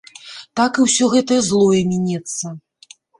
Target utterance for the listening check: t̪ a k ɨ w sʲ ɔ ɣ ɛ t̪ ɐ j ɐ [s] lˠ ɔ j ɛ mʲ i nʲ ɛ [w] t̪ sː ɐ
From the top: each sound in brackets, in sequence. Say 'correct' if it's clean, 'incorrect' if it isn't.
incorrect: z, incorrect: none

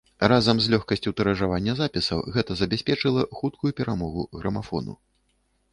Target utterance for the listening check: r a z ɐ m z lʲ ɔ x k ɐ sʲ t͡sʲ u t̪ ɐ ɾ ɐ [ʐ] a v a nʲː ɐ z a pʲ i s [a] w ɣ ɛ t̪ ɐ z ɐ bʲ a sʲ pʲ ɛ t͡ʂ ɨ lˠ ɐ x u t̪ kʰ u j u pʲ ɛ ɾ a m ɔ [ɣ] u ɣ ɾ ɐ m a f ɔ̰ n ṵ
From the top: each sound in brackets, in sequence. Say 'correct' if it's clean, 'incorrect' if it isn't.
correct, incorrect: ɐ, correct

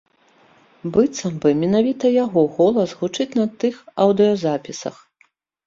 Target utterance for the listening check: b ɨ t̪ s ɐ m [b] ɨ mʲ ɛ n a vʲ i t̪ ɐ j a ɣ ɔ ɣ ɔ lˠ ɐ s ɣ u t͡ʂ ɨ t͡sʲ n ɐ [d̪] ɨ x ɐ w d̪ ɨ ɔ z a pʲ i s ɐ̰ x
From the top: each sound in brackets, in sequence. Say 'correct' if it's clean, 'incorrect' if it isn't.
correct, incorrect: t̪

